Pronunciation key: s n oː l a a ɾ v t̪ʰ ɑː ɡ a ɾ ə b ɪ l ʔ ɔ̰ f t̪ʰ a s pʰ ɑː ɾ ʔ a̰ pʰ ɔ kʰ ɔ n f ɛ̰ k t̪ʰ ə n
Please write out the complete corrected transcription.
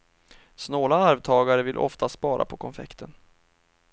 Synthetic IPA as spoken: s n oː l a a ɾ v t̪ʰ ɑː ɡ a ɾ ə v ɪ l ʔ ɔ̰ f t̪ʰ a s p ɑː ɾ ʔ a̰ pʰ ɔ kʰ ɔ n f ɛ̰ k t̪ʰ ə n